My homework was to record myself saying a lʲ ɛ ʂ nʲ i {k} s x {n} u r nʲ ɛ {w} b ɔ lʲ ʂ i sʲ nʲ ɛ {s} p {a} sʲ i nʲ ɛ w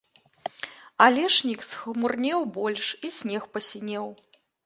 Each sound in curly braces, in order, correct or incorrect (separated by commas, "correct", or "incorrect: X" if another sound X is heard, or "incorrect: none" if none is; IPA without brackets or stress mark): correct, incorrect: m, correct, incorrect: x, incorrect: ɐ